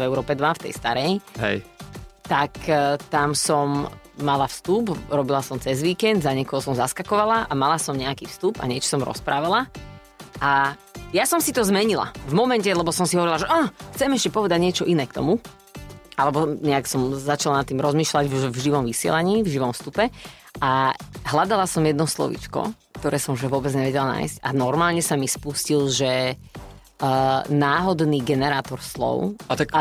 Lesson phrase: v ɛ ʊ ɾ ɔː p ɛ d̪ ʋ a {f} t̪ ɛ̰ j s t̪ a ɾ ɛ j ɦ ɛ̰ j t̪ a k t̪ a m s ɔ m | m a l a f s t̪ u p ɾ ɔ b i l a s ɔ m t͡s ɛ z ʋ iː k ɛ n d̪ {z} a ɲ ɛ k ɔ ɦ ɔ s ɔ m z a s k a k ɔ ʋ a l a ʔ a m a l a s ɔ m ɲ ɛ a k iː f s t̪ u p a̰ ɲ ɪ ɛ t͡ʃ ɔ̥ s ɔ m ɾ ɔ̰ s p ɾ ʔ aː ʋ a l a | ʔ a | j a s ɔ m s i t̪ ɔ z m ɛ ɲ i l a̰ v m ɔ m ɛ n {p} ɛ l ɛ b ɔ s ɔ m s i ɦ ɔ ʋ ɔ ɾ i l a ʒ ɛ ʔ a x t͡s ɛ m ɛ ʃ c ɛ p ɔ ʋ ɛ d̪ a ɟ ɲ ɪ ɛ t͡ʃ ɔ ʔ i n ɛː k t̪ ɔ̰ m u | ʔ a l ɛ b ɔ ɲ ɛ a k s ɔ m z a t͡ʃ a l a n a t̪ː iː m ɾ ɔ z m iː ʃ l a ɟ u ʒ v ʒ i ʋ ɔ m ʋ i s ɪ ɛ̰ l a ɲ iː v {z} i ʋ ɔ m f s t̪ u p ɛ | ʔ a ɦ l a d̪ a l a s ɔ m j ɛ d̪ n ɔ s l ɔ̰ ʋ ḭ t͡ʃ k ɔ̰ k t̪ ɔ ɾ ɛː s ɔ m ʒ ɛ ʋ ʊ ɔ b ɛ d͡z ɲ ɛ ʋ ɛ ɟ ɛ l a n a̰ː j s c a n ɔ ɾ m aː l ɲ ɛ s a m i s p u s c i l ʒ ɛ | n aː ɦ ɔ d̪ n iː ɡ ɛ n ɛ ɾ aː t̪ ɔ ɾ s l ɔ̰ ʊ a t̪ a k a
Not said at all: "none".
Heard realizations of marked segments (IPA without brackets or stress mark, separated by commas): f, z, c, ʒ